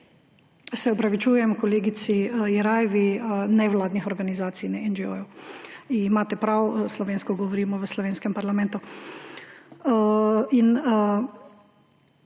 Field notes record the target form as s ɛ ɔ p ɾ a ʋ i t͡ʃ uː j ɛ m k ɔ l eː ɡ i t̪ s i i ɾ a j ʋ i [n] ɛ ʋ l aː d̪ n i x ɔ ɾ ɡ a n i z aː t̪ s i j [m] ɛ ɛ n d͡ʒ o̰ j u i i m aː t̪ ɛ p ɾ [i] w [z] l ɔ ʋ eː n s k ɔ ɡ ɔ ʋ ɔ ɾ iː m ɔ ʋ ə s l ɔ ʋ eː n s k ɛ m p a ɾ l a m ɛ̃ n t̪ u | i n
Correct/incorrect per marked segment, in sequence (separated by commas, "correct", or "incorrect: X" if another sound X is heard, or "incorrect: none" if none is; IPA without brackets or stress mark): correct, incorrect: n, incorrect: a, incorrect: s